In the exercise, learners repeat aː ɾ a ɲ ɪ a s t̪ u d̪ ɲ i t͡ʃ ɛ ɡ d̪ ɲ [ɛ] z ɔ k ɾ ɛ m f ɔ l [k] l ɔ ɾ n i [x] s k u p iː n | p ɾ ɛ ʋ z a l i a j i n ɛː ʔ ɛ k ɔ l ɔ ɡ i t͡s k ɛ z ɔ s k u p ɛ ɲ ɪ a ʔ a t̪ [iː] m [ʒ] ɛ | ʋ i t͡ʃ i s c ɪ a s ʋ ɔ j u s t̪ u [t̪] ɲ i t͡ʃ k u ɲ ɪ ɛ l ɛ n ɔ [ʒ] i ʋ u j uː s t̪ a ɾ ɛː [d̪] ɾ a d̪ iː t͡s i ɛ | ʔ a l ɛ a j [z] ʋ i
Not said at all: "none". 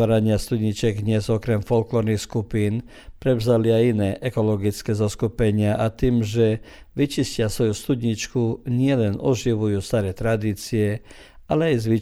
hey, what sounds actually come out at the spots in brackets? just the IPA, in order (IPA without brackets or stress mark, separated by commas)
ɛ, k, x, iː, ʒ, d̪, ʒ, t̪, z